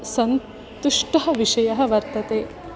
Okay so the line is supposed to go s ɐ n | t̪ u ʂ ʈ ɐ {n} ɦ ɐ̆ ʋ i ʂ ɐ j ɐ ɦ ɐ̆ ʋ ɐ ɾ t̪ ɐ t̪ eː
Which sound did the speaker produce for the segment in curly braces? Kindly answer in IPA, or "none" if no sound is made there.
none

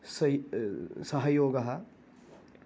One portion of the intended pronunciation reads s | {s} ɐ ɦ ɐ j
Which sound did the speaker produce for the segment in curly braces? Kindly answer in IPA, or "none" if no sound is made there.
s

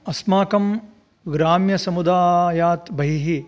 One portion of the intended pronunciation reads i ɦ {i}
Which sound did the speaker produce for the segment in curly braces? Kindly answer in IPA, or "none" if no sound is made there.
i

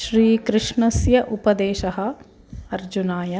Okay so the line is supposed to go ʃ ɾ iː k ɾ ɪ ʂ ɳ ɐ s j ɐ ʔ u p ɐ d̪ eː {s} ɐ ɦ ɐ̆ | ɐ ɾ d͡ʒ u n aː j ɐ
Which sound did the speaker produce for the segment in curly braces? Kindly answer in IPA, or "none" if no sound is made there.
ʃ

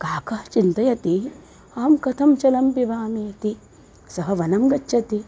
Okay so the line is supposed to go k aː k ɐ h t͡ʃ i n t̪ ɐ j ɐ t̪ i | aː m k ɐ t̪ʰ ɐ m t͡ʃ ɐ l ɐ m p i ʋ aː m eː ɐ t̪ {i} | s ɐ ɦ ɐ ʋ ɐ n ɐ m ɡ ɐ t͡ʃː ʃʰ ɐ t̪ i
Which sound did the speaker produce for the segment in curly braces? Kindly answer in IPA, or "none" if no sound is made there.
i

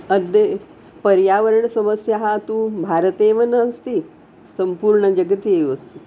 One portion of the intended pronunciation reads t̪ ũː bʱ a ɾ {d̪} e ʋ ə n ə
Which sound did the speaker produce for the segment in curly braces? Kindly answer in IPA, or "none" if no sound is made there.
t̪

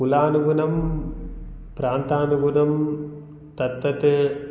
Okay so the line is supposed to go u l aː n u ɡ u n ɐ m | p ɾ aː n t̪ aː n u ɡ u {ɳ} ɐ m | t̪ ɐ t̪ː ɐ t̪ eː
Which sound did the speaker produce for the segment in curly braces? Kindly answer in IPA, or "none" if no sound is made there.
n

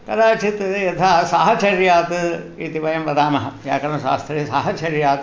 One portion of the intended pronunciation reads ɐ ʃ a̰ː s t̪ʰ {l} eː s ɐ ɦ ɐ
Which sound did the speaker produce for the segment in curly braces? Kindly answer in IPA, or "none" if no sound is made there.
ɾ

